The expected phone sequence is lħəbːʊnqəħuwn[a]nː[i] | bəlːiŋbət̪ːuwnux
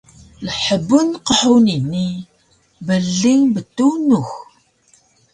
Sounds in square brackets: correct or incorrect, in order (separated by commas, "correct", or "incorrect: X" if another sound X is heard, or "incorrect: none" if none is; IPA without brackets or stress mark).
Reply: incorrect: i, correct